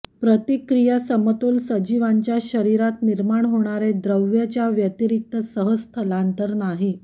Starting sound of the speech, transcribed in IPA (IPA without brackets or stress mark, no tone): p